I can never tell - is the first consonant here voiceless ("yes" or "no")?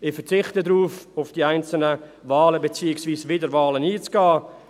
yes